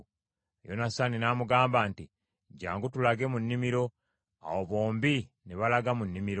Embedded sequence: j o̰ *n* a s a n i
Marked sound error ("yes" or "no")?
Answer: no